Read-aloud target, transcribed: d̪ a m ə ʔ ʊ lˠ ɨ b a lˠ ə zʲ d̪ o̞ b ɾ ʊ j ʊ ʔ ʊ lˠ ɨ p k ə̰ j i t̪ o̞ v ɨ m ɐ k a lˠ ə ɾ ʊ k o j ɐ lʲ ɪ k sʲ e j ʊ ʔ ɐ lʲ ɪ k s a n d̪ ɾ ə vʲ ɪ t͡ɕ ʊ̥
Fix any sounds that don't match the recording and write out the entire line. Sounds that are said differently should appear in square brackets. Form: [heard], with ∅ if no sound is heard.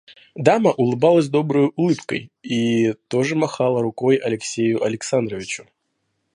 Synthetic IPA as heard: d̪ a m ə ʔ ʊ lˠ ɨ b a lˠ ə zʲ d̪ o̞ b ɾ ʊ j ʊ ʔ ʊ lˠ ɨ p k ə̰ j i t̪ o̞ [ʐ] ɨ m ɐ [x] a lˠ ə ɾ ʊ k o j ɐ lʲ ɪ k sʲ e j ʊ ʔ ɐ lʲ ɪ k s a n d̪ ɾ ə vʲ ɪ t͡ɕ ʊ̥